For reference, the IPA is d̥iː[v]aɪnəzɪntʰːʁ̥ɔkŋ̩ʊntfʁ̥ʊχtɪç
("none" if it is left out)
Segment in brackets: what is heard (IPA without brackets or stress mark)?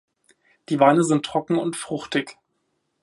v